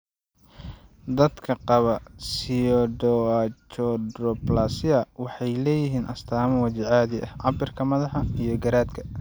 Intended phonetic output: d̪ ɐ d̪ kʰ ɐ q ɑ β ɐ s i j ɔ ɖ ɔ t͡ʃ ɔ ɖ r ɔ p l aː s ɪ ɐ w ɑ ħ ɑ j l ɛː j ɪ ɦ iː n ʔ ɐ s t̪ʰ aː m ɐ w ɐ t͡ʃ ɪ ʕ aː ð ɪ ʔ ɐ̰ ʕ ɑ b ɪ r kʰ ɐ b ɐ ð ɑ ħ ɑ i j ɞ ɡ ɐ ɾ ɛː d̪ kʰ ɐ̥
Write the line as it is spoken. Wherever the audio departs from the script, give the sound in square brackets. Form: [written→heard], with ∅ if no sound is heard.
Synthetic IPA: d̪ ɐ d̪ kʰ ɐ q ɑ β ɐ s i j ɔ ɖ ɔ t͡ʃ ɔ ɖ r ɔ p l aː s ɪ ɐ w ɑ ħ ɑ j l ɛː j ɪ ɦ iː n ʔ ɐ s t̪ʰ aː m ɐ w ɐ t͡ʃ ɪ ʕ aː ð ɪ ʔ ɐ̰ ʕ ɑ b ɪ r kʰ ɐ [b→m] ɐ ð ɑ ħ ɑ i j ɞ ɡ ɐ ɾ [ɛː→aː] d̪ kʰ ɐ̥